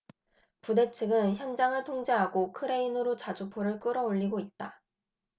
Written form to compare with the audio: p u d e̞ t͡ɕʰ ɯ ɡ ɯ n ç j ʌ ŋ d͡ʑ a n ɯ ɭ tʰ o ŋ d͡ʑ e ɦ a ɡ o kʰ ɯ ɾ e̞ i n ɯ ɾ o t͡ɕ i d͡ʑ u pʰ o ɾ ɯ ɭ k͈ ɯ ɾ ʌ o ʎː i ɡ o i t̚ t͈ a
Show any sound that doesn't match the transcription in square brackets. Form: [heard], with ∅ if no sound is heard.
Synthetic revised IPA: p u d e̞ t͡ɕʰ ɯ ɡ ɯ n ç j ʌ ŋ d͡ʑ a [ŋ] ɯ ɭ tʰ o ŋ d͡ʑ e ɦ a ɡ o kʰ ɯ ɾ e̞ i n ɯ ɾ o t͡ɕ [a] d͡ʑ u pʰ o ɾ ɯ ɭ k͈ ɯ ɾ ʌ o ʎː i ɡ o i t̚ t͈ a